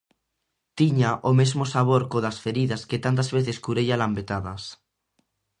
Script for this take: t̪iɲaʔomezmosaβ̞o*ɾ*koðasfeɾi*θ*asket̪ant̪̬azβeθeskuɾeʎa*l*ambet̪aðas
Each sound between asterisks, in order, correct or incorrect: correct, incorrect: ð, correct

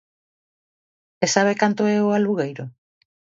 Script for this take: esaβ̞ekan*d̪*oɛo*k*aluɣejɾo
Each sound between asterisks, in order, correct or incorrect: incorrect: t̪, incorrect: none

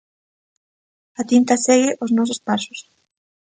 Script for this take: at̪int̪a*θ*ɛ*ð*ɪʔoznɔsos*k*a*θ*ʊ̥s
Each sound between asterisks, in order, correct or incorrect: incorrect: s, incorrect: ɣ, incorrect: p, incorrect: s

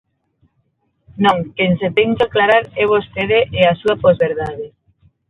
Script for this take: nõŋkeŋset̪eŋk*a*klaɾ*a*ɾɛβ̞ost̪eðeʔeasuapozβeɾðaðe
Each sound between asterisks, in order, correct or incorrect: correct, correct

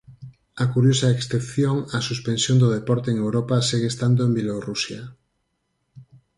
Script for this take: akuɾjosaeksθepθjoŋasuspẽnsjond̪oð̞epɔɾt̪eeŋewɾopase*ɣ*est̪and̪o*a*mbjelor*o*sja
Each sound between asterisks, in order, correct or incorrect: correct, incorrect: e, incorrect: u

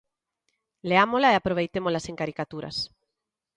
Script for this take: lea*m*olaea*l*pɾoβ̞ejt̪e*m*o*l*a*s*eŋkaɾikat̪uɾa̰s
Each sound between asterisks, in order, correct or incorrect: correct, incorrect: none, correct, correct, correct

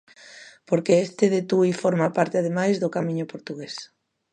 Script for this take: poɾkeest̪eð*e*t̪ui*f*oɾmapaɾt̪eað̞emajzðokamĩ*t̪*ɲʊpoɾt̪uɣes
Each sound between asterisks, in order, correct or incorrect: correct, correct, incorrect: none

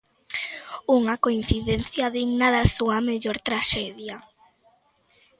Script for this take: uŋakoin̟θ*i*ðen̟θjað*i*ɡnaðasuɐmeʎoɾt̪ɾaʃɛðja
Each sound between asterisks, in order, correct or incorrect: correct, correct

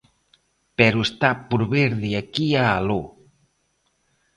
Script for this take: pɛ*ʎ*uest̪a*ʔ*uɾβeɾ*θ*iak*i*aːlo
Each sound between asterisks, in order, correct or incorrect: incorrect: ɾ, incorrect: p, incorrect: ð, correct

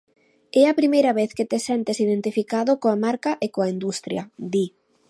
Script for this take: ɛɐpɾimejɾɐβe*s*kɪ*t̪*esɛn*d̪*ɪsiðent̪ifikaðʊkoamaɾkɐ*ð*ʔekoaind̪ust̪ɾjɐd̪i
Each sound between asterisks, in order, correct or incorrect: incorrect: θ, correct, incorrect: t̪, incorrect: none

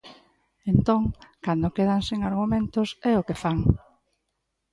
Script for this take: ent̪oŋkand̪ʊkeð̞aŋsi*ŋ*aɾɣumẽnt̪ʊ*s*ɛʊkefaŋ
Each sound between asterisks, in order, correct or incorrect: correct, correct

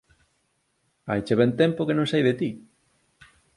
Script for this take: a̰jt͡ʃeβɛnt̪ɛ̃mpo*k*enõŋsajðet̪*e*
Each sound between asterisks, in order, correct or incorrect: correct, incorrect: i

